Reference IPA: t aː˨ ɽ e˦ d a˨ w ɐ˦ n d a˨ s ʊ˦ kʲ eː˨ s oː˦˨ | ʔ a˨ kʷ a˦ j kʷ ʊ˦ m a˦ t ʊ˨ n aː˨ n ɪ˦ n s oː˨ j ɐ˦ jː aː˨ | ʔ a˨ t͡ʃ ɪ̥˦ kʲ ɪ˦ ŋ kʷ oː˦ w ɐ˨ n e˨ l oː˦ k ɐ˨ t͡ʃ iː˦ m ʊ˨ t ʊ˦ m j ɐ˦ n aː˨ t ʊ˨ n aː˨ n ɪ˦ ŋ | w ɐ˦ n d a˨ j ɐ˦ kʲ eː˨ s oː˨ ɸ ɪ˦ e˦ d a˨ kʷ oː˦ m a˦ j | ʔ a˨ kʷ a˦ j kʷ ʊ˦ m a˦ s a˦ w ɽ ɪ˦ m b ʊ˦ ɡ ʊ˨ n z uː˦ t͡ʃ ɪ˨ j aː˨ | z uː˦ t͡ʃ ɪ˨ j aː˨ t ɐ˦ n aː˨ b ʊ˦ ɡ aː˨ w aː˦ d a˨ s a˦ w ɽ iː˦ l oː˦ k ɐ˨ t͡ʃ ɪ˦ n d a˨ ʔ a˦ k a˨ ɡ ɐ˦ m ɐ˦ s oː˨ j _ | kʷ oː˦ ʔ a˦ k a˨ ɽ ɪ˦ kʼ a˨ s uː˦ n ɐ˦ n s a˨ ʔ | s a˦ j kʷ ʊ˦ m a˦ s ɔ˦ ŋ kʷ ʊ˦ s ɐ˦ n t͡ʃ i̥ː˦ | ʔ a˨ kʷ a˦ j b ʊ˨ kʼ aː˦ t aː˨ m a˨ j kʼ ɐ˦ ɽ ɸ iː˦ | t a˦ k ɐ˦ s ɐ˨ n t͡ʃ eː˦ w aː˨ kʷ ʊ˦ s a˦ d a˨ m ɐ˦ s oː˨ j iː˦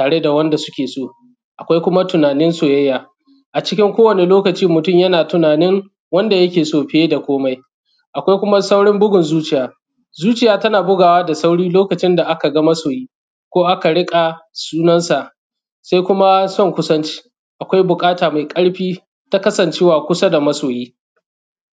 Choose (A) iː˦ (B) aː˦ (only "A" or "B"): A